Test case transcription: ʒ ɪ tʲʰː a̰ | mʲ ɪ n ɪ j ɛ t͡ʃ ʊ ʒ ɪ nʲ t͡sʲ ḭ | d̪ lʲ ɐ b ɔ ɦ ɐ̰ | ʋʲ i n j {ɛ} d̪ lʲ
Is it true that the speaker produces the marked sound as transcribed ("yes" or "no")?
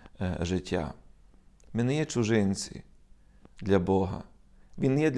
yes